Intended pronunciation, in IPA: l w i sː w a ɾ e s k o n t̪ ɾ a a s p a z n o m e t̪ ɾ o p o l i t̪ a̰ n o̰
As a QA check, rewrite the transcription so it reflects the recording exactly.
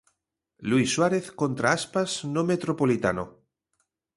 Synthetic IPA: l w i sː w a ɾ e θ k o n t̪ ɾ a a s p a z n o m e t̪ ɾ o p o l i t̪ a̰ n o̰

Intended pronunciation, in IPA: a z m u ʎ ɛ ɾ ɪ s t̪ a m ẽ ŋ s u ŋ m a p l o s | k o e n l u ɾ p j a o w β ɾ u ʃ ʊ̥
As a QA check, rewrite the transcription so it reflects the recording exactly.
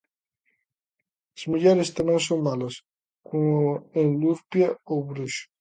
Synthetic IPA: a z m u ʎ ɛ ɾ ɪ s t̪ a m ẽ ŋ s o ŋ m a l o s | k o e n l u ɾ p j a o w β ɾ u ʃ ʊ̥

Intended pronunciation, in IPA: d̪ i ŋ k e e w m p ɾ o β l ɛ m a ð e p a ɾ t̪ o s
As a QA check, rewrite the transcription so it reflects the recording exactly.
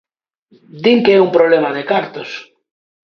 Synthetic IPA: d̪ i ŋ k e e u m p ɾ o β l e m a ð e k a ɾ t̪ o s

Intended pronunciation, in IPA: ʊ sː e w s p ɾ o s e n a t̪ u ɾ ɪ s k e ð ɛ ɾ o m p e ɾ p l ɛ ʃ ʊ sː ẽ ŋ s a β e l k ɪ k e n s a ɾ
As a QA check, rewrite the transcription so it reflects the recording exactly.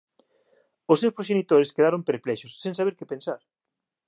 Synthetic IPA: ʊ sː e w s p ɾ o ʃ e n i t̪ o ɾ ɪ s k e ð a ɾ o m p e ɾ p l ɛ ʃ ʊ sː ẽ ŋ s a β e ɾ k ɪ p e n s a ɾ

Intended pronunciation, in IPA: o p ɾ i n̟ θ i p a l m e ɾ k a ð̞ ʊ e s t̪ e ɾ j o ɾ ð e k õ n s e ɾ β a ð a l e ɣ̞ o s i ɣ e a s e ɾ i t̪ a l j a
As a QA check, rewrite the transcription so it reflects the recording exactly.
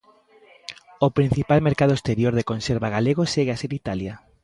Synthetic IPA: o p ɾ i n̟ θ i p a l m e ɾ k a ð̞ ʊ e s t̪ e ɾ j o ɾ ð e k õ n s e ɾ β a ɣ a l e ɣ̞ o s e ɣ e a s e ɾ i t̪ a l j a

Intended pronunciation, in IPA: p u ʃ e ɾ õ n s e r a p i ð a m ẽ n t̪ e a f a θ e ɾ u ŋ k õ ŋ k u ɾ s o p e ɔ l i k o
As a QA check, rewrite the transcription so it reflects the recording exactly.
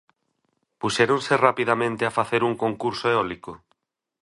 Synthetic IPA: p u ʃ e ɾ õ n s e r a p i ð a m ẽ n t̪ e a f a θ e ɾ u ŋ k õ ŋ k u ɾ s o e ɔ l i k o

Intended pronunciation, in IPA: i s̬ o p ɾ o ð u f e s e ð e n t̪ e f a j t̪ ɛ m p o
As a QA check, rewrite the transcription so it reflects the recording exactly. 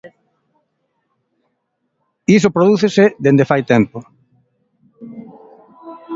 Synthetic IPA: i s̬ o p ɾ o ð u θ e s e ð e n d̪ e f a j t̪ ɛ m p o

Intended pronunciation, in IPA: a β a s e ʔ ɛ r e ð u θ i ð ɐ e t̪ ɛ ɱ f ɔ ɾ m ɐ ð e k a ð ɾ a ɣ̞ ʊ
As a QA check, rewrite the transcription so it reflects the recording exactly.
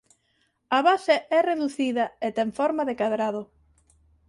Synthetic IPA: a β a s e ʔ ɛ r e ð u θ i ð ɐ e t̪ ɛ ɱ f ɔ ɾ m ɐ ð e k a ð ɾ a ð̞ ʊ

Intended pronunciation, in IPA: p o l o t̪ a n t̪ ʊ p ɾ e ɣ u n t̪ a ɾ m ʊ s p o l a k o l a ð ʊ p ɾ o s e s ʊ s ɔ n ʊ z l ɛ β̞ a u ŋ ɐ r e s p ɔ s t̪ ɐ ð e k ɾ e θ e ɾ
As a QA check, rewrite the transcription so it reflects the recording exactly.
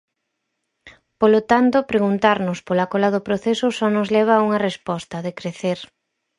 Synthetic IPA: p o l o t̪ a n t̪ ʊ p ɾ e ɣ u n t̪ a ɾ n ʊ s p o l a k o l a ð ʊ p ɾ o θ e s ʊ s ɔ n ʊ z l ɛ β̞ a u ŋ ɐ r e s p ɔ s t̪ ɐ ð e k ɾ e θ e ɾ

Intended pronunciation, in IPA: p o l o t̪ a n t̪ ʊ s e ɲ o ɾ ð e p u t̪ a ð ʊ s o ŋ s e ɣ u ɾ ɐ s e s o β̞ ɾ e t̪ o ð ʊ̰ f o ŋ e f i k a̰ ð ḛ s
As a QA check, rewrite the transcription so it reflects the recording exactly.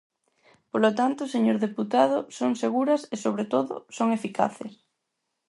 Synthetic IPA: p o l o t̪ a n t̪ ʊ s e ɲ o ɾ ð e p u t̪ a ð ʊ s o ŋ s e ɣ u ɾ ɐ s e s o β̞ ɾ e t̪ o ð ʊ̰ s o ŋ e f i k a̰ θ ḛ s

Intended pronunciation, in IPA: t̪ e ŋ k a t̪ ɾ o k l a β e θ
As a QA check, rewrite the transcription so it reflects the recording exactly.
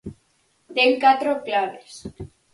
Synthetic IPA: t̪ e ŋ k a t̪ ɾ o k l a β e s

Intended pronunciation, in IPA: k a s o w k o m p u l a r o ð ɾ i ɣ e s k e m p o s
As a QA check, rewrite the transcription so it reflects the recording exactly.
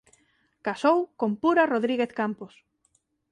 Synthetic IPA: k a s o w k o m p u ɾ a r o ð ɾ i ɣ e θ k a m p o s

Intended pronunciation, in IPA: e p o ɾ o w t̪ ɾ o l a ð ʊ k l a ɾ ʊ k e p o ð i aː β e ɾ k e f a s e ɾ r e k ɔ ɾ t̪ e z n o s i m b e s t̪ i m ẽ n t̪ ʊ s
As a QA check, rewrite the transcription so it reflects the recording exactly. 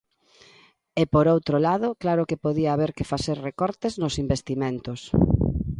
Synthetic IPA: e p o ɾ o w t̪ ɾ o l a ð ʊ k l a ɾ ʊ k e p o ð i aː β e ɾ k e f a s e ɾ r e k ɔ ɾ t̪ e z n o s i m b e s t̪ i m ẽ n t̪ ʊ s

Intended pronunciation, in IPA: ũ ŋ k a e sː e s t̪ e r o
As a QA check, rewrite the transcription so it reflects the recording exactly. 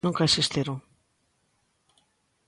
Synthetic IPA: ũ ŋ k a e s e s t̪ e ɾ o

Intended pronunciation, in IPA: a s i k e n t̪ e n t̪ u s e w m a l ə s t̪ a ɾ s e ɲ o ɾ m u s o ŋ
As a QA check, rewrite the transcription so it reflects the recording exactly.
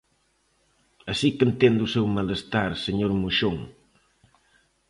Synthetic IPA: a s i k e n t̪ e n d̪ u s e w m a l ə s t̪ a ɾ s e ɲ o ɾ m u ʃ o ŋ

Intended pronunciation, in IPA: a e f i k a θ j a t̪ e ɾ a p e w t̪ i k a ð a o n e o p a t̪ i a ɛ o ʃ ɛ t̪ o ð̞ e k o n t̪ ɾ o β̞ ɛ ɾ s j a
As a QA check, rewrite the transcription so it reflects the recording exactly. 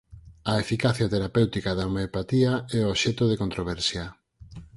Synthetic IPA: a e f i k a θ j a t̪ e ɾ a p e w t̪ i k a ð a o m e o p a t̪ i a ɛ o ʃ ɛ t̪ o ð̞ e k o n t̪ ɾ o β̞ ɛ ɾ s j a

